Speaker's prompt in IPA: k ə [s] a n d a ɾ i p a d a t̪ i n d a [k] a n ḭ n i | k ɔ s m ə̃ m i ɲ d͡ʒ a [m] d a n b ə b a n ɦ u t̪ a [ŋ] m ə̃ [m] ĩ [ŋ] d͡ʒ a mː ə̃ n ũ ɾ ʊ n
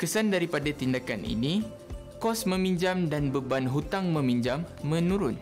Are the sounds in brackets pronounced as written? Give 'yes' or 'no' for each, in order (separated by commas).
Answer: yes, yes, yes, yes, yes, no